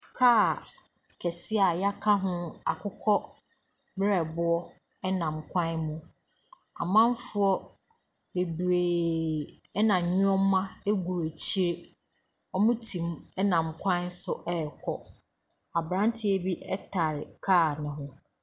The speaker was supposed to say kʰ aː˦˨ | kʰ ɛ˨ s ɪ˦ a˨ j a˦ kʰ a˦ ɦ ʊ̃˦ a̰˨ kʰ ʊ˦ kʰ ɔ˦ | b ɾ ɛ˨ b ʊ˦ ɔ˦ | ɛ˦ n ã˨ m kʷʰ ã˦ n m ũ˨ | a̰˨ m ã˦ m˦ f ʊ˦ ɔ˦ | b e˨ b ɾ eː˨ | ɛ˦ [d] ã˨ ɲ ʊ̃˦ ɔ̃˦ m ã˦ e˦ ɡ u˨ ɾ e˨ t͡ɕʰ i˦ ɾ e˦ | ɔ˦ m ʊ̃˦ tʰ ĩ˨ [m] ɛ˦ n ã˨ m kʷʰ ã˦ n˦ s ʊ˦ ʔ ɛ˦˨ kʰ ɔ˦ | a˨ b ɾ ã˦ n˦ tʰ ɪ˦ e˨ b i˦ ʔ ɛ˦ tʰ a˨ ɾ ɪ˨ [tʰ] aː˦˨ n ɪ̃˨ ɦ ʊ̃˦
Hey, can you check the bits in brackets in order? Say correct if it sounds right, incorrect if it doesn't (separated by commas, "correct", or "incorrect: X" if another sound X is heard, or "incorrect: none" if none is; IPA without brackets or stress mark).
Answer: incorrect: n, correct, incorrect: kʰ